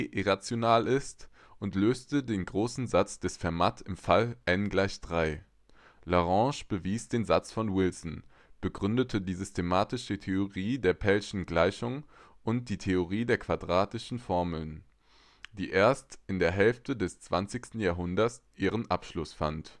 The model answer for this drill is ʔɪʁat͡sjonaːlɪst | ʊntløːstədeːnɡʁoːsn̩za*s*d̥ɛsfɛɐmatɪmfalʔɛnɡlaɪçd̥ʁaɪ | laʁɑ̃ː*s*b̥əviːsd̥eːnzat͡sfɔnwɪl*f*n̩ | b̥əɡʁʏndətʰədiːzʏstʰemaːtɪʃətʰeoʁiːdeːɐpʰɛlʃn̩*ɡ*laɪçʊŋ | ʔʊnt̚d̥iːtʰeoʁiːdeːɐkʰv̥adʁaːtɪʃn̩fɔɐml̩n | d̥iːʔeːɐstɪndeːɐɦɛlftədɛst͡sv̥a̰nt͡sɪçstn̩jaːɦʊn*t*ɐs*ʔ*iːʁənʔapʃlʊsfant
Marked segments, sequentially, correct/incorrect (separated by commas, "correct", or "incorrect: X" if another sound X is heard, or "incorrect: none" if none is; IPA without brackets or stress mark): incorrect: t͡s, incorrect: ʃ, incorrect: s, correct, incorrect: d, correct